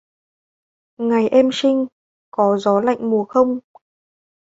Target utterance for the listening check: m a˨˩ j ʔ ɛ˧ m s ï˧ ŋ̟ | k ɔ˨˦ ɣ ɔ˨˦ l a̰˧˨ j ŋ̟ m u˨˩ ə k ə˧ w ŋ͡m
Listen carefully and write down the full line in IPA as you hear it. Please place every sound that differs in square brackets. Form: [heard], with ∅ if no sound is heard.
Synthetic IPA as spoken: [ŋ] a˨˩ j ʔ ɛ˧ m s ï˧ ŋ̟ | k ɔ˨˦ [z] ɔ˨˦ l a̰˧˨ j ŋ̟ m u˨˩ ə [x] ə˧ w ŋ͡m